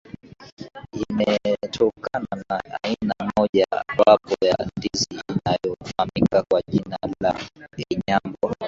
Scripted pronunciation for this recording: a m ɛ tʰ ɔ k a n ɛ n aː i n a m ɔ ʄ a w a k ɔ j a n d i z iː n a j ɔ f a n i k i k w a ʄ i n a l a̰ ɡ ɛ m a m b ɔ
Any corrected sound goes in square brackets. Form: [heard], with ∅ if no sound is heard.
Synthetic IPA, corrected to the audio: [i] m ɛ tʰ ɔ k a n [a] n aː i n a m ɔ ʄ a w a [p] ɔ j a n d i z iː n a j ɔ f a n i k [a] k w a ʄ i n a l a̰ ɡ ɛ [ɲ] a m b ɔ